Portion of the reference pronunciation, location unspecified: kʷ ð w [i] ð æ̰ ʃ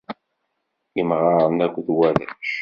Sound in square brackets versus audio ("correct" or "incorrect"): incorrect